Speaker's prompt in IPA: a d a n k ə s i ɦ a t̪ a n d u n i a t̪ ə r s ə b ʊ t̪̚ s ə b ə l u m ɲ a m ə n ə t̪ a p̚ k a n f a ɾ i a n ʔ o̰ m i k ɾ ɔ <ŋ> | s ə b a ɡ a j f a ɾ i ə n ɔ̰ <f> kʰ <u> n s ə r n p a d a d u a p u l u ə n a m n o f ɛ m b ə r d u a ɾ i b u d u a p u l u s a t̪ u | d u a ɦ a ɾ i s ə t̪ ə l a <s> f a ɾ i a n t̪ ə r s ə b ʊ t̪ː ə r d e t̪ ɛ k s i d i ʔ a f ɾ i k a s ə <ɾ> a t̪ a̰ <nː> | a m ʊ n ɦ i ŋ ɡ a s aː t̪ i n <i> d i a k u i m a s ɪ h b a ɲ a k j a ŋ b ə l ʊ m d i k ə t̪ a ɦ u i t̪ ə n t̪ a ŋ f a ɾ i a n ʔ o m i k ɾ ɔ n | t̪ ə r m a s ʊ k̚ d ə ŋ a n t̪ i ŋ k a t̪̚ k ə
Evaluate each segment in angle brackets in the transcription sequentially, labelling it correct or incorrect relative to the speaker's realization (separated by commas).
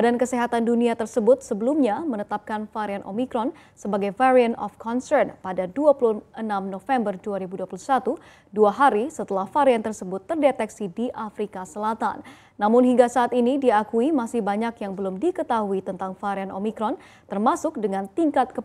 incorrect, correct, incorrect, incorrect, incorrect, correct, correct